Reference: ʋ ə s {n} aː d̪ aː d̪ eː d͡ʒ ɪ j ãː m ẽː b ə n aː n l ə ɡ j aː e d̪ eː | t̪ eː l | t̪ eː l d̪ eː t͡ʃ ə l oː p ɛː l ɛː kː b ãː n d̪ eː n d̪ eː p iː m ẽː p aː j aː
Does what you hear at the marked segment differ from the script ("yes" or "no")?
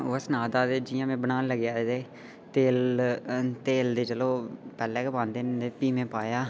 no